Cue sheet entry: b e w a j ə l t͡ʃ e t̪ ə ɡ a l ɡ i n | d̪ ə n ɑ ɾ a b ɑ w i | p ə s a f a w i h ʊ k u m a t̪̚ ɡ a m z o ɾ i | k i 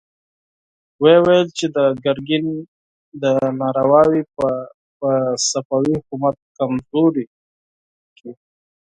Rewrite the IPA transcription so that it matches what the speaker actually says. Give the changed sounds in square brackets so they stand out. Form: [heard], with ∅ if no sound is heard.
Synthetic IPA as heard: [w] e w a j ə l t͡ʃ e [d̪] ə ɡ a [ɾ] ɡ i n | d̪ ə n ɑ ɾ a [w] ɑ w i | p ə s a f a w i h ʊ k u m a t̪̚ [k] a m z o ɾ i | k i